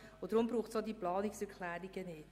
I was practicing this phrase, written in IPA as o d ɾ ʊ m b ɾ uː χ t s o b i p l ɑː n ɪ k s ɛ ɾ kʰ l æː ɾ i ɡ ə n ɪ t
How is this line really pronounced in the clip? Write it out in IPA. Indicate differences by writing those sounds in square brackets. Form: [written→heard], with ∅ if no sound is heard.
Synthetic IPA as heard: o d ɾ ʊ m b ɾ uː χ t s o [b→d] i p l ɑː n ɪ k s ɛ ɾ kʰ l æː ɾ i ɡ ə n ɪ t